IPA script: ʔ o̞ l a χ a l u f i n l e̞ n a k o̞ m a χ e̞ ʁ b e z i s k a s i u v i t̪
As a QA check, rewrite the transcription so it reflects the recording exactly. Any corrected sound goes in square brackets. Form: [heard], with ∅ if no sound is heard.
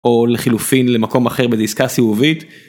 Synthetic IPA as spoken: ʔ o̞ l [e] χ [i] l u f i n l e̞ [m] a k o̞ m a χ e̞ ʁ b e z i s k a s i u v i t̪